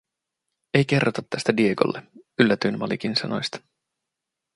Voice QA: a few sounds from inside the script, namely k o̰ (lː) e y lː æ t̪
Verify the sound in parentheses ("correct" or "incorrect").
correct